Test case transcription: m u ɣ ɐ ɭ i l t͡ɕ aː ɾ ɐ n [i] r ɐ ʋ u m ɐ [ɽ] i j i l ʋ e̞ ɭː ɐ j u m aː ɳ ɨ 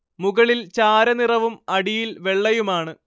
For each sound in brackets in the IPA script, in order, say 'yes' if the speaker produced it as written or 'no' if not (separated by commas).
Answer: yes, yes